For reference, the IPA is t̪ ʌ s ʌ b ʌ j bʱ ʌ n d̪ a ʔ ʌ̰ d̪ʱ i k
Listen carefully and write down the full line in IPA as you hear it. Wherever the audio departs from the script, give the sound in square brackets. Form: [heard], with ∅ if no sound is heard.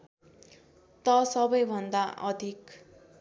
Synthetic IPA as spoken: t̪ ʌ s ʌ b ʌ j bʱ ʌ n d̪ a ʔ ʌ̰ d̪ʱ i k